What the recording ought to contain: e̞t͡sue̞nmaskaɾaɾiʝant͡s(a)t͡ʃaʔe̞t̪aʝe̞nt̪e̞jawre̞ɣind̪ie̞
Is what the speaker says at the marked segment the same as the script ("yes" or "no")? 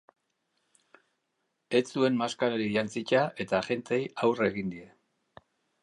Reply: no